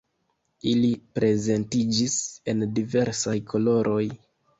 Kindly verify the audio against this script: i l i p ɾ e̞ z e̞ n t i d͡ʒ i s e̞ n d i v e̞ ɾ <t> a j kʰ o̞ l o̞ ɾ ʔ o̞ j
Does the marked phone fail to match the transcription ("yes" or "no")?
yes